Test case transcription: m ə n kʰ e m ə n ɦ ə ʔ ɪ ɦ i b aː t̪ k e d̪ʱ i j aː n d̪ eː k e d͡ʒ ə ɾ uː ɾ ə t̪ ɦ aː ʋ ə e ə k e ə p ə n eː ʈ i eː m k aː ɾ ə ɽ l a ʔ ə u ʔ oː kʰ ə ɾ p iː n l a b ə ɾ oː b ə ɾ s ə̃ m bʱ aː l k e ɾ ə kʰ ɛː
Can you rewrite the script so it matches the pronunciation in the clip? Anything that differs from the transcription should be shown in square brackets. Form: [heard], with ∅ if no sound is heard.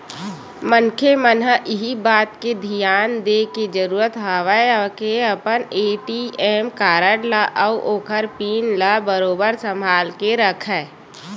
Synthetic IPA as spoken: m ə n kʰ e m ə n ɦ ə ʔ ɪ ɦ i b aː t̪ k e d̪ʱ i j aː n d̪ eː k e d͡ʒ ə ɾ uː ɾ ə t̪ ɦ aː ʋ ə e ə k e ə p ə n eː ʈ i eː m k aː ɾ ə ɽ l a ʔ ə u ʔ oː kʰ ə ɾ p iː n l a b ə ɾ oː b ə ɾ s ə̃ m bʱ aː l k e ɾ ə kʰ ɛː